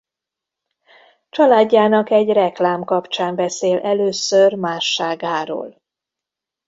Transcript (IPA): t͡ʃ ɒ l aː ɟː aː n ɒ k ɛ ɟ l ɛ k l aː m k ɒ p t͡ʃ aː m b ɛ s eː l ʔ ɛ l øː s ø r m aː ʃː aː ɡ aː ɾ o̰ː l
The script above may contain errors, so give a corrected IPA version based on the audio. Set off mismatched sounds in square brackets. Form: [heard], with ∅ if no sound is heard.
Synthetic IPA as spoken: t͡ʃ ɒ l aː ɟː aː n ɒ k ɛ ɟ [r] ɛ k l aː m k ɒ p t͡ʃ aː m b ɛ s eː l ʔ ɛ l øː s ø r m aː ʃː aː ɡ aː ɾ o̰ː l